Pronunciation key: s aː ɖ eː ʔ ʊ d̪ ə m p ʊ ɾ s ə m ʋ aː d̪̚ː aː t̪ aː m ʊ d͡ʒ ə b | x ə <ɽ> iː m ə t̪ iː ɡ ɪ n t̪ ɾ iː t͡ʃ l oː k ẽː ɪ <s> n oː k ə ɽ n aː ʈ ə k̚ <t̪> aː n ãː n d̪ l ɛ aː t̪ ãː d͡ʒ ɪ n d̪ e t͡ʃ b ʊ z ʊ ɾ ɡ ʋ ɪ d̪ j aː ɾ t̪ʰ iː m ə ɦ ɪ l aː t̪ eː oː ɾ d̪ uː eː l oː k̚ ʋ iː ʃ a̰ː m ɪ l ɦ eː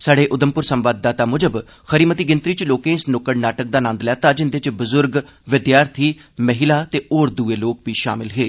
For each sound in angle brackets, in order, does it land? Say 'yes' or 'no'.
no, yes, no

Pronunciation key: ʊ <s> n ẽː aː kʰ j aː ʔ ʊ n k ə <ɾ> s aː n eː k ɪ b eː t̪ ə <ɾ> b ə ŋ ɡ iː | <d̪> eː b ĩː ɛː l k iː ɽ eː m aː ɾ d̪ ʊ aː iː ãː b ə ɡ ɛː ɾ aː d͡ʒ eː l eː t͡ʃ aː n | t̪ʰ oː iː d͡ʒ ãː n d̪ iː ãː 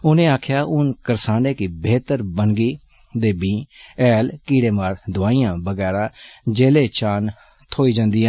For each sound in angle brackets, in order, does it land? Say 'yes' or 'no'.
no, yes, yes, yes

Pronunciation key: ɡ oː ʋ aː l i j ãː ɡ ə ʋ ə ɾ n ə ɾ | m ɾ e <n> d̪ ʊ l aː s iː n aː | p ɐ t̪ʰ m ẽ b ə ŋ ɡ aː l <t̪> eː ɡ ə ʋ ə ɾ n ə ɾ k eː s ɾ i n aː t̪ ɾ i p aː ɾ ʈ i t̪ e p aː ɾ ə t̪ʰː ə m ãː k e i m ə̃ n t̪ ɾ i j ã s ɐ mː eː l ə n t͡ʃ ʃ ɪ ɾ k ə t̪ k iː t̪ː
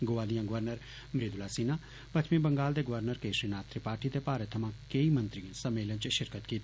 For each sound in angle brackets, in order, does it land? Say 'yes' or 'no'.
no, no

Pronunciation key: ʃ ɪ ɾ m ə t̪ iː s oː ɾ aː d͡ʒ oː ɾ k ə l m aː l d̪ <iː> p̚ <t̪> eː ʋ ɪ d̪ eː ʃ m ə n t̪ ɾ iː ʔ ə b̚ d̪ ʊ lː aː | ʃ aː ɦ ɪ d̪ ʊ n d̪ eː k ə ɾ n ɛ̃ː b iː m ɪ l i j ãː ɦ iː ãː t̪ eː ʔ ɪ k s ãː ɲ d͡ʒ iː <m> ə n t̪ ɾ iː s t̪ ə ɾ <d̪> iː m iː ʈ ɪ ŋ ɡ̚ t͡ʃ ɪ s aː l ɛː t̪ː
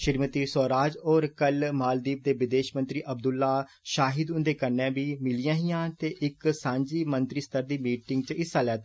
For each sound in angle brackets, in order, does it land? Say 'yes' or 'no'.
yes, no, yes, yes

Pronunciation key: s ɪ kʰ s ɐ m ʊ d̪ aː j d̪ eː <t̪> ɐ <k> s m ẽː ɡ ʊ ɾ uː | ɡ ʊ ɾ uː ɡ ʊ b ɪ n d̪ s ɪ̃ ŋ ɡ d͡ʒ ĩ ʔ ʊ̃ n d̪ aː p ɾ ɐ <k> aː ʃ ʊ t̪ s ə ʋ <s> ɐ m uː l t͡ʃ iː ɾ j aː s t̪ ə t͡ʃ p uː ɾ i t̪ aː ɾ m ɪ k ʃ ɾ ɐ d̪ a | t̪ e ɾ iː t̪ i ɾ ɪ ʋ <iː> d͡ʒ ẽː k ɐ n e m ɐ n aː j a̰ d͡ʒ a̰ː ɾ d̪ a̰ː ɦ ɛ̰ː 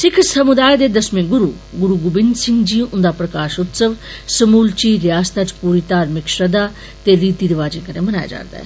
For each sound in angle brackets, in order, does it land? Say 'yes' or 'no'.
no, no, yes, yes, no

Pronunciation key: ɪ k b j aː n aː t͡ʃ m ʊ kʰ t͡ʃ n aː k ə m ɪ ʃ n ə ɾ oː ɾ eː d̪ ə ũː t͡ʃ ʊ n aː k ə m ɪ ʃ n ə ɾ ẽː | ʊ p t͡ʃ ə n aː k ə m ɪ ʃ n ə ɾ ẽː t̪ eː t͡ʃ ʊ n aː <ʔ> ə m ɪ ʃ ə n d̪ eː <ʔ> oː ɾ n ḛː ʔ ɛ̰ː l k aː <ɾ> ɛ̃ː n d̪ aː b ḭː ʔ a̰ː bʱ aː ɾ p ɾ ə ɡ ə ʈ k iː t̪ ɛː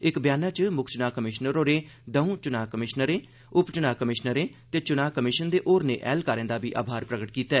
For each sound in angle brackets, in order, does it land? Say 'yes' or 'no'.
no, yes, yes

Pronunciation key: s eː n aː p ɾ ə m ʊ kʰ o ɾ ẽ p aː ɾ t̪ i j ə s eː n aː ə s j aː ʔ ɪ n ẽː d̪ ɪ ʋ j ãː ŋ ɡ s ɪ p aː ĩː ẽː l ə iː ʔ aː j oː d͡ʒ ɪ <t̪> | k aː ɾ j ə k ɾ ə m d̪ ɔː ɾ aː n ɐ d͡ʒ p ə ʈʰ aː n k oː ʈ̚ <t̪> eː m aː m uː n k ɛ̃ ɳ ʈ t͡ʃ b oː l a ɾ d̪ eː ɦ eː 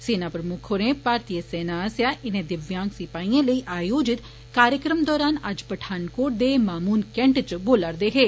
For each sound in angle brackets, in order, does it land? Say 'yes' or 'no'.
yes, no

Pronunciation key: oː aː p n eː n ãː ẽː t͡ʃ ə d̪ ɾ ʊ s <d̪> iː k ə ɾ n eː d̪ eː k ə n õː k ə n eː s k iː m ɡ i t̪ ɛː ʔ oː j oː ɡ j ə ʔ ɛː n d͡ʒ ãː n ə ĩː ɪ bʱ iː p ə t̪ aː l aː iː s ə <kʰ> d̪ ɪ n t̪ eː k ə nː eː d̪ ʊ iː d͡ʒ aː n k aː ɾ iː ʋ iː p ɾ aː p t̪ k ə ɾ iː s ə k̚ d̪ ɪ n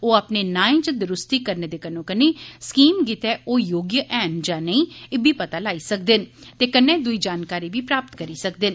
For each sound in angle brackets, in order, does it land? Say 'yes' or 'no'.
no, no

